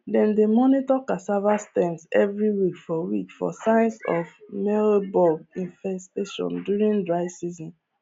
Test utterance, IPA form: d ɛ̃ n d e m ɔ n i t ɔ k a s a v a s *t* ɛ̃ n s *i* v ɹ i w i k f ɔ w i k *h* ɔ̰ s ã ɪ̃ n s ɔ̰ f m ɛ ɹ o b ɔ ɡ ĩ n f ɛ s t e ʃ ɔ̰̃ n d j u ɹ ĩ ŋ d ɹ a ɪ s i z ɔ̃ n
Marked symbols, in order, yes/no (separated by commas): yes, no, no